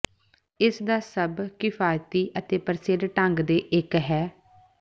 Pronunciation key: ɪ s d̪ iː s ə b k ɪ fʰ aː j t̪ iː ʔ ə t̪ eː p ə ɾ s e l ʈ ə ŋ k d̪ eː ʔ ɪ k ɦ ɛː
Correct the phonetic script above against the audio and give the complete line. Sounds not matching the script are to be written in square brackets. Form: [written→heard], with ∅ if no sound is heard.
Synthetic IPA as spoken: ɪ s d̪ [iː→aː] s ə b k ɪ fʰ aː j t̪ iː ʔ ə t̪ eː p ə ɾ s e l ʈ ə ŋ [k→ɡ] d̪ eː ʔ ɪ k ɦ ɛː